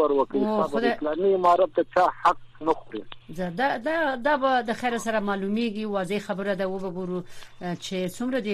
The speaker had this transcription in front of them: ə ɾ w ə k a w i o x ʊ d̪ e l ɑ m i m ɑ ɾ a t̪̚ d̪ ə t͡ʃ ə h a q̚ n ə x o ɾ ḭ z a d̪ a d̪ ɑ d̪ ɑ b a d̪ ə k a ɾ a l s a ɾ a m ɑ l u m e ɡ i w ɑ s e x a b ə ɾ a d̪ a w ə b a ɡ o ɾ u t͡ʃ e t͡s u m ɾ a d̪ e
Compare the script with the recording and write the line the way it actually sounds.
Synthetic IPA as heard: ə ɾ w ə k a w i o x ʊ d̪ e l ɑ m i m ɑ ɾ a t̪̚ d̪ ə t͡ʃ ɑ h a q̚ n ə x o ɾ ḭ z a d̪ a d̪ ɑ d̪ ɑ b a d̪ ə x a ɾ a s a ɾ a m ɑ l u m e ɡ i w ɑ z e x a b ə ɾ a d̪ a w ə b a ɡ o ɾ u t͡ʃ e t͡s u m ɾ a d̪ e